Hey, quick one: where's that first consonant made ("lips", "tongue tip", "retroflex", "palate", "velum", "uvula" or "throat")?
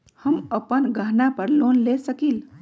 throat